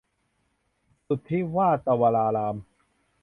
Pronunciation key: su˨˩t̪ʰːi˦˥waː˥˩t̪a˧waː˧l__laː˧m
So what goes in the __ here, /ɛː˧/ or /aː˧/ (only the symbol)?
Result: aː˧